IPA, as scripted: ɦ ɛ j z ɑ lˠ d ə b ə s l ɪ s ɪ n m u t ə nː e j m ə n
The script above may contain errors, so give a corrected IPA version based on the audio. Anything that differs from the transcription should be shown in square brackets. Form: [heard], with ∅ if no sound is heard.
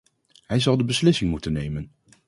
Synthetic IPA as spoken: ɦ ɛ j z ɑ lˠ d ə b ə s l ɪ s ɪ [ŋ] m u t ə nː e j m ə n